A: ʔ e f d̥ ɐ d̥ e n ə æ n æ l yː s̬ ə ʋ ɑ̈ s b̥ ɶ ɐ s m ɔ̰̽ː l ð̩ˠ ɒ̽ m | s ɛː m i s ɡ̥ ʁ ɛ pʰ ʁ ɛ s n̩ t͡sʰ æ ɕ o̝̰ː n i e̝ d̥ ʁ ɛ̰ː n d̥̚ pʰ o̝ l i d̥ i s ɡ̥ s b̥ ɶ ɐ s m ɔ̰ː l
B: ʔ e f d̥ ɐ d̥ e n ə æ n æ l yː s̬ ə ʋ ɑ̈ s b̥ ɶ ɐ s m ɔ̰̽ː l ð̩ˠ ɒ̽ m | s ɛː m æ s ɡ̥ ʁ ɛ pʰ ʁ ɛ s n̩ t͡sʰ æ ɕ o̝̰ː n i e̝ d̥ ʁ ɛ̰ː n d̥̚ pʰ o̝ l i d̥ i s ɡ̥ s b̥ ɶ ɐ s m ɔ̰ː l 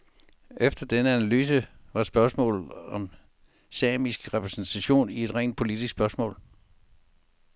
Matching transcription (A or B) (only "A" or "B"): A